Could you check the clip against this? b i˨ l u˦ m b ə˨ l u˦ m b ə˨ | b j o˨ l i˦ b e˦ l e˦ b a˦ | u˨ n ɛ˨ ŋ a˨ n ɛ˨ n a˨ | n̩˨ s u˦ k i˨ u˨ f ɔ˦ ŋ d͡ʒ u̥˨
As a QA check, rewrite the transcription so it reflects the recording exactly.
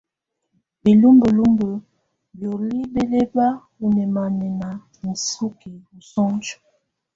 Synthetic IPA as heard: b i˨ l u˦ m b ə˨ l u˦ m b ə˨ | b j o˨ l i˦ b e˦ l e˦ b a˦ | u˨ n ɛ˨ m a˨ n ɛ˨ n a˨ | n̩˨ s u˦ k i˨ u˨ s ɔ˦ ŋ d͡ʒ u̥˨